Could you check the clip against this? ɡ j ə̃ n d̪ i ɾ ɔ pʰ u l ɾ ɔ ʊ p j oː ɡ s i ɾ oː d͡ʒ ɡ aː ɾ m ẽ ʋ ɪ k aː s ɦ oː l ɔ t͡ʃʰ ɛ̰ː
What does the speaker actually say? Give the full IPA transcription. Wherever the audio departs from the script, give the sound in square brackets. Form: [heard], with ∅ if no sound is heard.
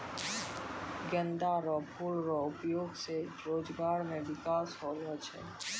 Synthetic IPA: ɡ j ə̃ n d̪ [a] ɾ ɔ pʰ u l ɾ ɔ ʊ p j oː ɡ s [e] ɾ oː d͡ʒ ɡ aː ɾ m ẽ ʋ ɪ k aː s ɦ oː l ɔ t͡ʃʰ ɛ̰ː